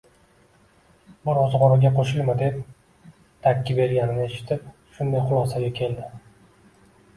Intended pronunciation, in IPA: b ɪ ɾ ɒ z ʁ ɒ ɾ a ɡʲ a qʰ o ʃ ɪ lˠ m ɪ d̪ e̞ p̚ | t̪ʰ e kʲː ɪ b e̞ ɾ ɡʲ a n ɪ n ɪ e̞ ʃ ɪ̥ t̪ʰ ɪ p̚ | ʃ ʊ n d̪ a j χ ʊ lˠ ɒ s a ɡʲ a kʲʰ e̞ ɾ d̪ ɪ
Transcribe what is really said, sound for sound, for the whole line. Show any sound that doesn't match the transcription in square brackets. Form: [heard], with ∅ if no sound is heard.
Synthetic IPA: b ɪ ɾ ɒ z ʁ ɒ ɾ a ɡʲ a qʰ o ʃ ɪ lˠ m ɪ d̪ e̞ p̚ | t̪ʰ [a] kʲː ɪ b e̞ ɾ ɡʲ a n ɪ n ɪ e̞ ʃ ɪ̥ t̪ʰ ɪ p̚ | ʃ ʊ n d̪ a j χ ʊ lˠ ɒ s a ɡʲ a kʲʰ e̞ [l] d̪ ɪ